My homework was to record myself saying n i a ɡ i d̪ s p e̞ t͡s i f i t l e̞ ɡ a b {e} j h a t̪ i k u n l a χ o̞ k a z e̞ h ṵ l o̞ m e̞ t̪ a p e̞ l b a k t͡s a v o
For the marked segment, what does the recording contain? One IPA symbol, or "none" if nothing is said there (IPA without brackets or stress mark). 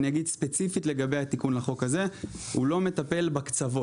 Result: e